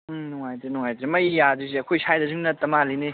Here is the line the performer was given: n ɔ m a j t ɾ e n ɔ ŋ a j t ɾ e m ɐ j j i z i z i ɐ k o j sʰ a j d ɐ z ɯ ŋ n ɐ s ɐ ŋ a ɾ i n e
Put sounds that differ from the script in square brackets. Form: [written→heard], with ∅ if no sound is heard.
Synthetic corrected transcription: n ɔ [m→ŋ] a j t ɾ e n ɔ ŋ a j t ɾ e m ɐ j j [i→a] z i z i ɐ [k→kʰ] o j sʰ a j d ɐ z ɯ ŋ n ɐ [s→t] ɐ [ŋ→m] a [ɾ→l] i n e